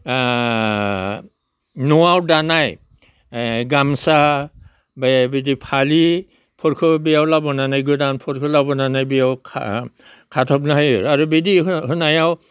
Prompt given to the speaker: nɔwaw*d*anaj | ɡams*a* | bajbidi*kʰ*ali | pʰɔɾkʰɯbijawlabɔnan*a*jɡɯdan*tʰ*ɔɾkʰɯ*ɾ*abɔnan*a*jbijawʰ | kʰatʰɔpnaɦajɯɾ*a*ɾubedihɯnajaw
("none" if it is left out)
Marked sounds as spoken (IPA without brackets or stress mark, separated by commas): d, a, pʰ, a, pʰ, l, a, a